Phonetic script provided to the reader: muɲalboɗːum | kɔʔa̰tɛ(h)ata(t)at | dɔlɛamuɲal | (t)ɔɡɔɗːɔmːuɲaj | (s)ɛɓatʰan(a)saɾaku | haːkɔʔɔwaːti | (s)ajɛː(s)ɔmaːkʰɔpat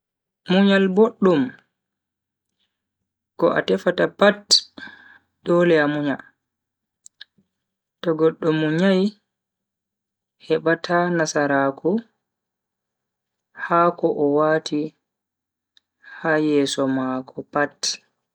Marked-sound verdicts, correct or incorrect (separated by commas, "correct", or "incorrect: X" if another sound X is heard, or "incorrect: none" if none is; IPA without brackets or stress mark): incorrect: f, incorrect: p, correct, incorrect: h, correct, incorrect: h, correct